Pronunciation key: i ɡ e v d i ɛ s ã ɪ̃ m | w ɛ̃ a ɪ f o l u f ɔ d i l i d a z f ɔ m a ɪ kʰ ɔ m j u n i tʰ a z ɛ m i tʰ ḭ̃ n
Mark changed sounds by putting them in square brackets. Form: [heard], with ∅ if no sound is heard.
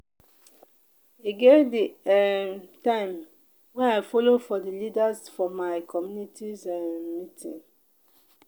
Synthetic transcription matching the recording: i ɡ e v d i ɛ [t] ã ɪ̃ m | w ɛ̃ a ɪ f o l [o] f ɔ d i l i d a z f ɔ m a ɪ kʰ ɔ m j u n i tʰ [i] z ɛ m i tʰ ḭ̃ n